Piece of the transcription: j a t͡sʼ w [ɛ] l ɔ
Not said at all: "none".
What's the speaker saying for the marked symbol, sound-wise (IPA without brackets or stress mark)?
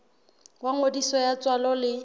a